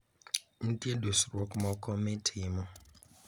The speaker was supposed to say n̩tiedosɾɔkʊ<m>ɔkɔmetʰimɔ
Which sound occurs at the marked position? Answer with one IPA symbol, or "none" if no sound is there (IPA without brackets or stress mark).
m